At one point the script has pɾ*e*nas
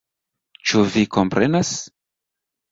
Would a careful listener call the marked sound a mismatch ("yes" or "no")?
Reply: no